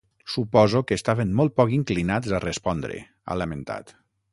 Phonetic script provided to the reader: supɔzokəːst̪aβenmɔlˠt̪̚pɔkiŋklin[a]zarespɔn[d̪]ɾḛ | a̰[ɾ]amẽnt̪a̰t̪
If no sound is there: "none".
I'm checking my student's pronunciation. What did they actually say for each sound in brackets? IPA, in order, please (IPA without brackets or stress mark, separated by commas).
a, d̪, l